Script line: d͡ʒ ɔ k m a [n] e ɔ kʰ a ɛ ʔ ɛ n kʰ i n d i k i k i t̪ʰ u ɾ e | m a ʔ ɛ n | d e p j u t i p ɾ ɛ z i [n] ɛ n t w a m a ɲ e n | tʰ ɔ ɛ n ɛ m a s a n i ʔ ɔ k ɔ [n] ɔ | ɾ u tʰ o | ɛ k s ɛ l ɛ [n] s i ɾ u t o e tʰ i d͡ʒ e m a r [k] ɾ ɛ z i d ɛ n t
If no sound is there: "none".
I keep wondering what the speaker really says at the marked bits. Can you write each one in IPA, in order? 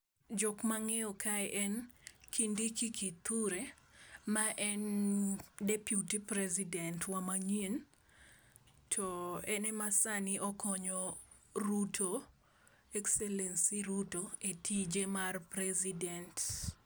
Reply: ŋ, d, ɲ, n, p

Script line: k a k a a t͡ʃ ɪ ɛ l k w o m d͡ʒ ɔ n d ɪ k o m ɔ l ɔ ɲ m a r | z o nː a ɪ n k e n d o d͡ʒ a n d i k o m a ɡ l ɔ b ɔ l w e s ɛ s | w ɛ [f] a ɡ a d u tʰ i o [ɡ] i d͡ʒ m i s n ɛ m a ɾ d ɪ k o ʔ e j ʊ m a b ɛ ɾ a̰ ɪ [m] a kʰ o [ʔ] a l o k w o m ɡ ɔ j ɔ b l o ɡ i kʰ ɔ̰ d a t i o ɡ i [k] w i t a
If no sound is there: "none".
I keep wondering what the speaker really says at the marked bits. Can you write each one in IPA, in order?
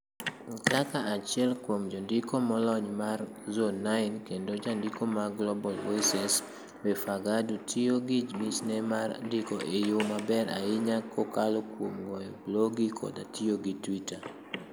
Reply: f, ɡ, ɲ, k, t

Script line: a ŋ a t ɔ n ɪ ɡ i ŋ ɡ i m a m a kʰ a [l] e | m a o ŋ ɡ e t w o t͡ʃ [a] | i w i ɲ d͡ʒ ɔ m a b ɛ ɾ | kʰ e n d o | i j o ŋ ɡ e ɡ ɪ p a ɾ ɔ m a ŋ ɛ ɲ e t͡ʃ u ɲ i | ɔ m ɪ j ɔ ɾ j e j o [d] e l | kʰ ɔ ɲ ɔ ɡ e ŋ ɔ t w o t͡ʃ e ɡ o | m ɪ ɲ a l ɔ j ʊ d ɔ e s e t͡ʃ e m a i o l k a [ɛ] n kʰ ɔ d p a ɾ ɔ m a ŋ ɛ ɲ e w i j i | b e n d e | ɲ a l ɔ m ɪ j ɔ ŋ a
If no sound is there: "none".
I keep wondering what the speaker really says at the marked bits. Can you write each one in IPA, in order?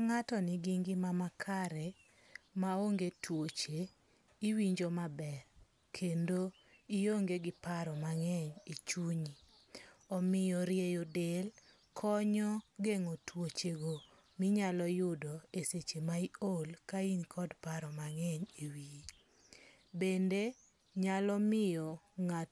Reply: ɾ, e, d, i

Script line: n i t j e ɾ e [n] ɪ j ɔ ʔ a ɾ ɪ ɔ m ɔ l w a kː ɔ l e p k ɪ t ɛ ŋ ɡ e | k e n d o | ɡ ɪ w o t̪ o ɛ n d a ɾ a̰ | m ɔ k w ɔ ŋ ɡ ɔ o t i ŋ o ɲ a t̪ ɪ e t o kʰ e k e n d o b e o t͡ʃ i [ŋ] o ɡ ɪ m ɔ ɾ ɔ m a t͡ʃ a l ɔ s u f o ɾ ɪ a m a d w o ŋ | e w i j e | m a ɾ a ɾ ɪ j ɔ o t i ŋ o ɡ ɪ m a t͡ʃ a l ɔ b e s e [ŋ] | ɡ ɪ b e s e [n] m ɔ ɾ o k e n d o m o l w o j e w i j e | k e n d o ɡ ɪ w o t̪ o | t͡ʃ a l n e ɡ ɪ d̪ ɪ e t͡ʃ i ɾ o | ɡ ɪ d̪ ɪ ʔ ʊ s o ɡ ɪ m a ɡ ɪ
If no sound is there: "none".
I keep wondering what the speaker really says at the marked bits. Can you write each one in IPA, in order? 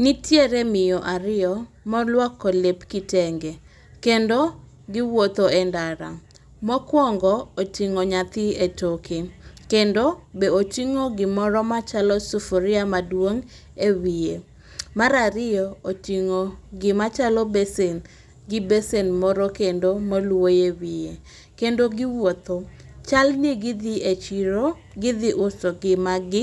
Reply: m, ŋ, n, n

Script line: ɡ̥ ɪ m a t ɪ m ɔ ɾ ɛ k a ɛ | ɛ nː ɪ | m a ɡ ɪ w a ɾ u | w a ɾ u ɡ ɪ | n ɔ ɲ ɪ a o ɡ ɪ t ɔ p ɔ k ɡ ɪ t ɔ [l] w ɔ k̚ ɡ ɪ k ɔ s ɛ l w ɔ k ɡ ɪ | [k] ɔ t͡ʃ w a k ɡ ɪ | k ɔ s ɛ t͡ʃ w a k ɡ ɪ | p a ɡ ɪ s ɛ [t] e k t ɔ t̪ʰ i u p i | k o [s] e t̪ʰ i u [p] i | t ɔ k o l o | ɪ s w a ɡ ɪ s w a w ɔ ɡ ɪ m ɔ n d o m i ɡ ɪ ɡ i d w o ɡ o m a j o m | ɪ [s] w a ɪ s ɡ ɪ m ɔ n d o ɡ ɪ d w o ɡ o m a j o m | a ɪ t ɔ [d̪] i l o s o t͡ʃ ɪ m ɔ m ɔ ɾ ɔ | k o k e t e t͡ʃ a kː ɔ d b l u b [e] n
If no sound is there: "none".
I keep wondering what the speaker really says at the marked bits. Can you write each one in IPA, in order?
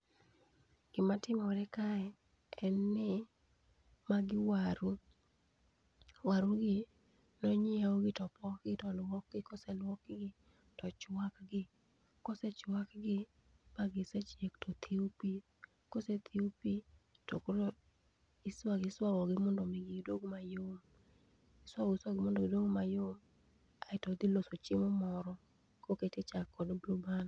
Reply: l, t, t͡ʃ, s, p, s, d̪, a

